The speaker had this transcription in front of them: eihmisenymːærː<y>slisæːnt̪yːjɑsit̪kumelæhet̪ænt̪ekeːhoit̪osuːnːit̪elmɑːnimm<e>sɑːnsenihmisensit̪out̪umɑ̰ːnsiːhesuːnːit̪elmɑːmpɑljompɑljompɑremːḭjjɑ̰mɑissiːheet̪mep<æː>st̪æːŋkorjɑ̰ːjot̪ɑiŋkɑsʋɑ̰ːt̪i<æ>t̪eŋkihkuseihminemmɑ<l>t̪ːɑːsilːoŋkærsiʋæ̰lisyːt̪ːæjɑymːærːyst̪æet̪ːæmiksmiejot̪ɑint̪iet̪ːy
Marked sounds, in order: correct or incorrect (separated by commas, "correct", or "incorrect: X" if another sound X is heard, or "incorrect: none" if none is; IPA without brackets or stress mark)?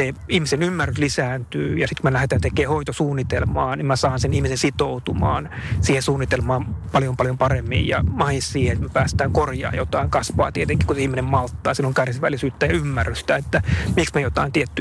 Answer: correct, incorrect: æ, correct, incorrect: e, correct